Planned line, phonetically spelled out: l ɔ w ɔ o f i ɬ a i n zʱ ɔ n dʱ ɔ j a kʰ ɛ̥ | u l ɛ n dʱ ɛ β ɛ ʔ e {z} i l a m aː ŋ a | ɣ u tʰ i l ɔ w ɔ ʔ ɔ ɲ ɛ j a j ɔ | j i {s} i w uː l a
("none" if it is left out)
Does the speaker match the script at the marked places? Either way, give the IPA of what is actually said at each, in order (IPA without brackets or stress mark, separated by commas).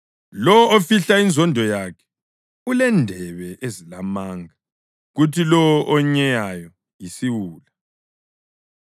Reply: z, s